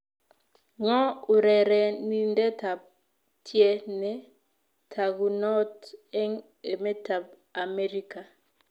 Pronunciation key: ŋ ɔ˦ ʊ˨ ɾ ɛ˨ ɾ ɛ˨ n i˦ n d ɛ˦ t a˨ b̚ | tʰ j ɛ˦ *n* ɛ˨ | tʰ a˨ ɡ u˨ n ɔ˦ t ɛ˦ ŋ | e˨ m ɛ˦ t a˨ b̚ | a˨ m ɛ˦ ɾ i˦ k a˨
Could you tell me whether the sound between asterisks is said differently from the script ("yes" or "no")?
no